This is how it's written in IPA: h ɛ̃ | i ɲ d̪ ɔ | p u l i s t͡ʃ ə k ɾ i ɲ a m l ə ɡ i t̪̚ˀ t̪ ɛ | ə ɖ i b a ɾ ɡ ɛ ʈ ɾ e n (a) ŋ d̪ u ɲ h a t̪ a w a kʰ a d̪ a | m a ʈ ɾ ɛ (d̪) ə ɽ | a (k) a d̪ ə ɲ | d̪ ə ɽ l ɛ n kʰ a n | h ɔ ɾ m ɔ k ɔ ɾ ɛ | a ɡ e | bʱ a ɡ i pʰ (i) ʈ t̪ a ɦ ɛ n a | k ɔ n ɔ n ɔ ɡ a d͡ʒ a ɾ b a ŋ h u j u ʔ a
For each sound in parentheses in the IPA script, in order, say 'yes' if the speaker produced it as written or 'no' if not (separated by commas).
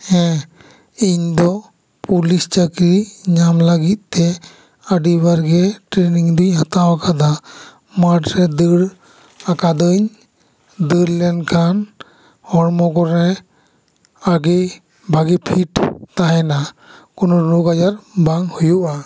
no, yes, yes, yes